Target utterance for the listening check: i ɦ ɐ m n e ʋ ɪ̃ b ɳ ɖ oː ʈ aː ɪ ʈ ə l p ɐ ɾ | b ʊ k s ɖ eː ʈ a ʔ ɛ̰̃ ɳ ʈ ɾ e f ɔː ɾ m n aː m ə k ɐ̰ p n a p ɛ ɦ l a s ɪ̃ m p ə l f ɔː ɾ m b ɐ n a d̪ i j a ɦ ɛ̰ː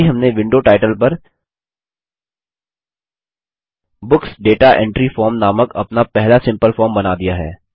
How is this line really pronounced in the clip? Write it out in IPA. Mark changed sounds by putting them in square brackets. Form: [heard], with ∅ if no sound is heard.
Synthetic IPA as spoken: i ɦ ɐ m n e ʋ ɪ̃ [∅] ɳ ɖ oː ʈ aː ɪ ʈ ə l p ɐ ɾ | b ʊ k s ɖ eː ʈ a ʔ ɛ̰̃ ɳ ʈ ɾ [i] f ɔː ɾ m n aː m ə k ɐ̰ p n a p ɛ ɦ l a s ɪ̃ m p ə l f ɔː ɾ m b ɐ n a d̪ i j a ɦ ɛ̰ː